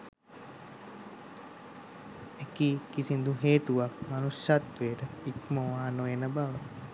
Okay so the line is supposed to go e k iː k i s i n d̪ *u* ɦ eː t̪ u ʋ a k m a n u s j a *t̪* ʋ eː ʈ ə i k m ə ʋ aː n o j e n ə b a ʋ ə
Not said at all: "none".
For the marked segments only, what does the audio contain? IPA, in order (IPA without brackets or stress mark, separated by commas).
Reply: u, t̪